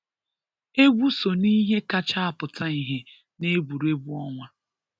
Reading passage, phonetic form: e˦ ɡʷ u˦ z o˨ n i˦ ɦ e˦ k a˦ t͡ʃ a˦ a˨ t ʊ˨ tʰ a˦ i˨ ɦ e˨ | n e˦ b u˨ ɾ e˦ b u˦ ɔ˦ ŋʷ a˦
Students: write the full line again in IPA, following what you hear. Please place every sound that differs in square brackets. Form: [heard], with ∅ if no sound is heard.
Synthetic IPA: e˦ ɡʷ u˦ [s] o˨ n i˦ ɦ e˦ k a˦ t͡ʃ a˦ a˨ [p] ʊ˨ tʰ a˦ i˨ ɦ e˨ | n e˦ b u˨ ɾ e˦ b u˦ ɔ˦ ŋʷ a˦